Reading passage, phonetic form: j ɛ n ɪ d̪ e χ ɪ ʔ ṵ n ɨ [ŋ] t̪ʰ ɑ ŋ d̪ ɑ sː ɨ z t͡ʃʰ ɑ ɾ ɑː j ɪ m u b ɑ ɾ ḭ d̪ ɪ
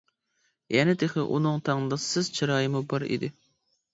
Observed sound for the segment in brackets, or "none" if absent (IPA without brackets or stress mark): ŋ